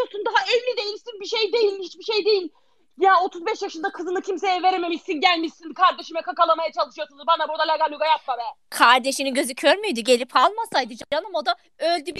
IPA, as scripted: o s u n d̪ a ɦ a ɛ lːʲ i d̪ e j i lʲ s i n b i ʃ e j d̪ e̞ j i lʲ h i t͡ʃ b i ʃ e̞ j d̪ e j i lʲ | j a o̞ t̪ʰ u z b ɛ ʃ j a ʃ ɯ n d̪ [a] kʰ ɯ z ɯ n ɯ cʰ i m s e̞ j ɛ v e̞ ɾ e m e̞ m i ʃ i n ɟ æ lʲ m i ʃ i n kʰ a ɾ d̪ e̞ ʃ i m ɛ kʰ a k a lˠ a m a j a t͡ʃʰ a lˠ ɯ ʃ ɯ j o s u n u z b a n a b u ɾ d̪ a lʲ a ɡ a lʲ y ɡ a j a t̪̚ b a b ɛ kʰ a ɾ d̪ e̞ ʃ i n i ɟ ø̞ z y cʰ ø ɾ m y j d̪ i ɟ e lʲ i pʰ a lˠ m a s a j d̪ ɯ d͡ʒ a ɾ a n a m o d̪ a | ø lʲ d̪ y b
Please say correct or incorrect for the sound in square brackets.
correct